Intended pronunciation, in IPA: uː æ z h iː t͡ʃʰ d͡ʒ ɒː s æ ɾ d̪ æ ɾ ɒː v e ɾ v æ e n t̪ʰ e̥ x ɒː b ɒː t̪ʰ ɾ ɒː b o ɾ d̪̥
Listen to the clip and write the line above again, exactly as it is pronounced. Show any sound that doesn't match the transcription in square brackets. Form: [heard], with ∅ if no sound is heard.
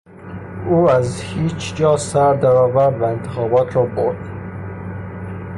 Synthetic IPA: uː æ z h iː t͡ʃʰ d͡ʒ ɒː s æ ɾ d̪ æ ɾ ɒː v [æ] ɾ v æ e n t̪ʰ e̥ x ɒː b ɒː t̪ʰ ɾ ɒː b o ɾ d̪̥